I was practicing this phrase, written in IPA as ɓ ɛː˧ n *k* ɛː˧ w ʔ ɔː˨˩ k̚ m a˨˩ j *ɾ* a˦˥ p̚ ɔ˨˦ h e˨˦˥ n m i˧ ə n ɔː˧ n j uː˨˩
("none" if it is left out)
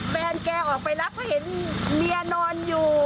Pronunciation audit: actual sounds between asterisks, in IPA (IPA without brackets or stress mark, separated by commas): k, l